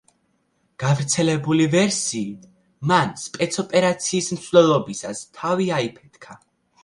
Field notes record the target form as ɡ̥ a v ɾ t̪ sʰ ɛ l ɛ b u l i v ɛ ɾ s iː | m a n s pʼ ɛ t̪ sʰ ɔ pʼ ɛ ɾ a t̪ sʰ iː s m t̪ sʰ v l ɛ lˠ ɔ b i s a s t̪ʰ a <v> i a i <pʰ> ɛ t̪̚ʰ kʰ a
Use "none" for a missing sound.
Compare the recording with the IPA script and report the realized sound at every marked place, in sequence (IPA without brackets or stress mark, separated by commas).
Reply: v, pʰ